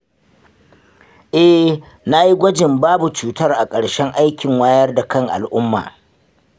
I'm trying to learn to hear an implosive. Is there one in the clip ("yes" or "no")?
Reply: no